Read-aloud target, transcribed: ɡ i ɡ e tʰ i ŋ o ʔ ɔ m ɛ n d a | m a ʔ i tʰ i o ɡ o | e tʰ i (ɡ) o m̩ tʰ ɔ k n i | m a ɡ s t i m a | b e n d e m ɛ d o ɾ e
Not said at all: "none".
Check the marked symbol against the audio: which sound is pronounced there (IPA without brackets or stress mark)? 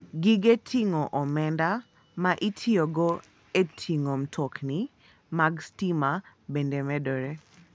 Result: ŋ